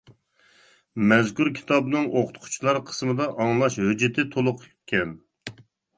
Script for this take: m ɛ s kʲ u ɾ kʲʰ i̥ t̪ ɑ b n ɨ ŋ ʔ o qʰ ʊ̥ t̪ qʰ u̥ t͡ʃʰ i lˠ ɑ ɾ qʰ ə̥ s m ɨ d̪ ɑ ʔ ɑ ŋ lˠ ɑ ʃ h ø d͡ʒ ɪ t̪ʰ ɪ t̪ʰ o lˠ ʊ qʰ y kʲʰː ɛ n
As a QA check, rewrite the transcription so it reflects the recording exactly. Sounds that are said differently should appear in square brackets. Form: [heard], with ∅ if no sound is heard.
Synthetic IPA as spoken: m ɛ [z] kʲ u ɾ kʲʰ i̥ t̪ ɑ b n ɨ ŋ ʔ o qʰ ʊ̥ t̪ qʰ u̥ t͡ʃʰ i lˠ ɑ ɾ qʰ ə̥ s m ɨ d̪ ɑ ʔ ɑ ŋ lˠ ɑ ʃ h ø d͡ʒ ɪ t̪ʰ ɪ t̪ʰ o lˠ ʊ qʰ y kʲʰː ɛ n